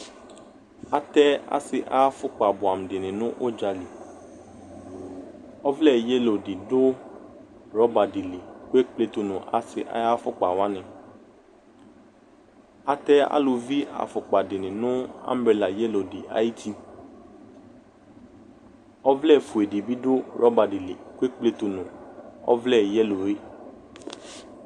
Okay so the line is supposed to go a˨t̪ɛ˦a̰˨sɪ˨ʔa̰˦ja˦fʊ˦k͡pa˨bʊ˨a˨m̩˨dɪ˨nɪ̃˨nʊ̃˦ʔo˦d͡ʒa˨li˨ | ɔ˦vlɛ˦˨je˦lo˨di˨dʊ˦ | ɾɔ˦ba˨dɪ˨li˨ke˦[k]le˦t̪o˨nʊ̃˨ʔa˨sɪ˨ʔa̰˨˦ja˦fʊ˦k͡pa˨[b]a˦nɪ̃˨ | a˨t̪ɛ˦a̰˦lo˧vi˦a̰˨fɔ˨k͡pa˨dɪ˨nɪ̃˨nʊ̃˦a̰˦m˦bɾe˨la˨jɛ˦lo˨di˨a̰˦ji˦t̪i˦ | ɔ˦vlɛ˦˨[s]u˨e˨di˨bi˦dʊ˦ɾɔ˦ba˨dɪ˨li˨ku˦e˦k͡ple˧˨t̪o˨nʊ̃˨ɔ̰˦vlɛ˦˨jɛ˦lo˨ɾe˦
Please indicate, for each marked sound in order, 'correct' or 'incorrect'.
incorrect, incorrect, incorrect

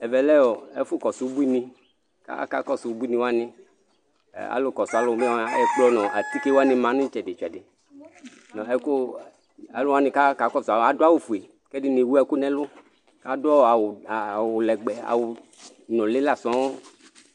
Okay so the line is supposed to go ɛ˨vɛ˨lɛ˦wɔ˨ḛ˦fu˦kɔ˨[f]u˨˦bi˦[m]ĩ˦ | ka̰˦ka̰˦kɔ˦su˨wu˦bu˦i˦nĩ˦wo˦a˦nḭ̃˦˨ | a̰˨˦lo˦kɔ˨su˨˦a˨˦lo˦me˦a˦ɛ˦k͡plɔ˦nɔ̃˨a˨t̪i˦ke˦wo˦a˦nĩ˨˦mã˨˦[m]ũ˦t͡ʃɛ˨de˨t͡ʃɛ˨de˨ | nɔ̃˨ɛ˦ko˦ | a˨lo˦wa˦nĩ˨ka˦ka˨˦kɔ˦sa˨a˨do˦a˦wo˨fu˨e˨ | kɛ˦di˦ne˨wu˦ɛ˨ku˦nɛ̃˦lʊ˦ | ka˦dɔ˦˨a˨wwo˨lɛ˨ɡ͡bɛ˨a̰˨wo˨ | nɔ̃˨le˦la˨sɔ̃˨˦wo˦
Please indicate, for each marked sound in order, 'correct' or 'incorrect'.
incorrect, incorrect, incorrect

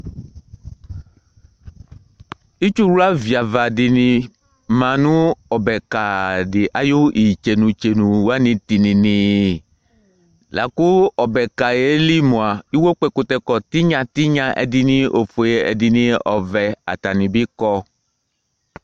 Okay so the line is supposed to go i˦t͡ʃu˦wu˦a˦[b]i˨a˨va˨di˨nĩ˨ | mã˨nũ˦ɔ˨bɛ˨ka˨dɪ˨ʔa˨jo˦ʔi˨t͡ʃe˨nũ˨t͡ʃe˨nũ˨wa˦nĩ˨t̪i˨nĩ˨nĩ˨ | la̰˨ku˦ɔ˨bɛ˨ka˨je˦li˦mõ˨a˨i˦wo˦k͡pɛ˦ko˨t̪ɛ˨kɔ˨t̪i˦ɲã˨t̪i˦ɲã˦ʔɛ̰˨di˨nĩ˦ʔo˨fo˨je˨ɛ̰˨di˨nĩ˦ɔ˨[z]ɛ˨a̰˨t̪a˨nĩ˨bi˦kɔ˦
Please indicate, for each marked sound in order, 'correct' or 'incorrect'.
incorrect, incorrect

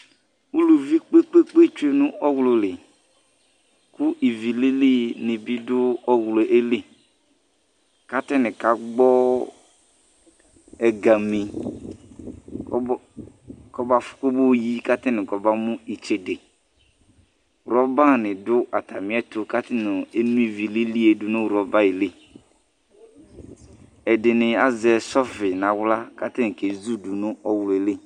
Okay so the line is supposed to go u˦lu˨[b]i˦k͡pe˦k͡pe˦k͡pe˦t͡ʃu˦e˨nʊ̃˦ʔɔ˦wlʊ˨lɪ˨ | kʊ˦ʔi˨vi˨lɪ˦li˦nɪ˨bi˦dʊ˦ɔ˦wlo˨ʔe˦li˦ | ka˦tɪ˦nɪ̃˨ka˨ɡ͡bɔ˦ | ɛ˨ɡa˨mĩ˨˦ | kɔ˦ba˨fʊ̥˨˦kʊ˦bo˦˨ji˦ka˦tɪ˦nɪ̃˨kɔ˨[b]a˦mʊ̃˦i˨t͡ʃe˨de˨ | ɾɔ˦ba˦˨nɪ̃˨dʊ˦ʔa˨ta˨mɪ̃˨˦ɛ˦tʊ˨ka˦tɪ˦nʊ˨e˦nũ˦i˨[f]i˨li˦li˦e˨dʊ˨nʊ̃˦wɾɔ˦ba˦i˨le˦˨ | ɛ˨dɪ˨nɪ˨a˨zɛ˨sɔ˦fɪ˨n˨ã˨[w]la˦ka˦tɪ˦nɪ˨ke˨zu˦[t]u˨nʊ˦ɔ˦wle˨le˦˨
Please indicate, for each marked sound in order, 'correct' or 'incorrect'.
incorrect, correct, incorrect, correct, incorrect

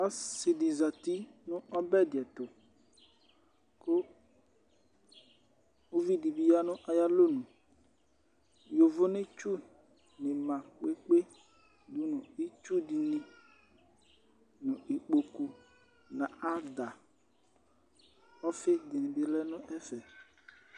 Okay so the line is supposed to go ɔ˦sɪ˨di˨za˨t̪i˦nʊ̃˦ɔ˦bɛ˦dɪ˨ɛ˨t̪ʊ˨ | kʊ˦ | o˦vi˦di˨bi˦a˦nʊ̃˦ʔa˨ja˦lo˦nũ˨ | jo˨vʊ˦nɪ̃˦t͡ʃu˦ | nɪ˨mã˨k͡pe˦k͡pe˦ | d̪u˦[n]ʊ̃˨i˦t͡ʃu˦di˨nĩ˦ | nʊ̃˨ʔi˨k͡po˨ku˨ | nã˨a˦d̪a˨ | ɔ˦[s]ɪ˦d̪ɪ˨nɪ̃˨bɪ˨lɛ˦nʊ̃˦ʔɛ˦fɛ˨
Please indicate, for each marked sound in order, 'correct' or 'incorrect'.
correct, incorrect

